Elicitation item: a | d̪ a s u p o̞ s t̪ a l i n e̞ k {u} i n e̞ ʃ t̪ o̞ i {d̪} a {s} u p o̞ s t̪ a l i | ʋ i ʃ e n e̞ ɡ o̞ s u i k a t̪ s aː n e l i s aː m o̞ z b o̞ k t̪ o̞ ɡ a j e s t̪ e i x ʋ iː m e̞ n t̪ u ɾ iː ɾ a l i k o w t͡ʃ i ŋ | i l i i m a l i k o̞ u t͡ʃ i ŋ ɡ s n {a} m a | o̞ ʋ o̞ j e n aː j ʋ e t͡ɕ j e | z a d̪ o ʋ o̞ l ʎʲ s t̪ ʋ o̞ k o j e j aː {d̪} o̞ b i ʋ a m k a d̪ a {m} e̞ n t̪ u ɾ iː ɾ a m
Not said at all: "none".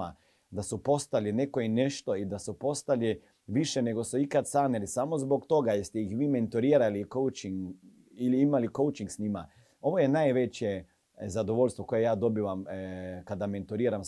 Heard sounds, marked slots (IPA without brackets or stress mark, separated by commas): o, d̪, s, i, d̪, m